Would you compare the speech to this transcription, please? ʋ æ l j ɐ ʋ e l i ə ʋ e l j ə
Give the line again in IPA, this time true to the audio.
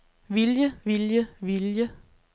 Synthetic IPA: ʋ i l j ə ʋ i l j ə ʋ i l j ə